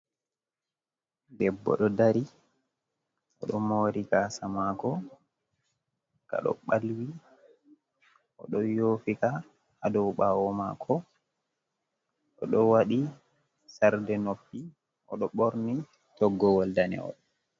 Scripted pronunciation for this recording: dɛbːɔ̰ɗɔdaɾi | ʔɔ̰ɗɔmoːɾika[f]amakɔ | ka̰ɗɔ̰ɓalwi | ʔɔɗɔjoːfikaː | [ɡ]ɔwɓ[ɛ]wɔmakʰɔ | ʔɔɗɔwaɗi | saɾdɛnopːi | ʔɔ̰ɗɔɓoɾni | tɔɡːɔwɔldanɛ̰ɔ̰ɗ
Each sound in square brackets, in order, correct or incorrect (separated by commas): incorrect, incorrect, incorrect